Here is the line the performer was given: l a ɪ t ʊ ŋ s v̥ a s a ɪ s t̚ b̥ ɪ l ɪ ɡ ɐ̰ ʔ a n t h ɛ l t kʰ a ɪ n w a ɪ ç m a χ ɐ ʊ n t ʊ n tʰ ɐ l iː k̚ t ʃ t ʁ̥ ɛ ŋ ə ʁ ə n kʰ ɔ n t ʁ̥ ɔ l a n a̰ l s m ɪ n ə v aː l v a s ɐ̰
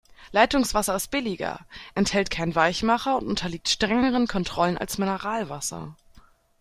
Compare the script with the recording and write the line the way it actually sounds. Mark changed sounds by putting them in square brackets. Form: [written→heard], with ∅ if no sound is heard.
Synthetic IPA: l a ɪ t ʊ ŋ s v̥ a s [a→ɐ] ɪ s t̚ b̥ ɪ l ɪ ɡ ɐ̰ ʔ [a→ɛ] n t h ɛ l t kʰ a ɪ n [w→v] a ɪ ç m a χ ɐ ʊ n t ʊ n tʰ ɐ l iː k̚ t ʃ t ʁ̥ ɛ ŋ ə ʁ ə n kʰ ɔ n t ʁ̥ ɔ l [a→ə] n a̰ l s m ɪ n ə [v→ʁ] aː l v a s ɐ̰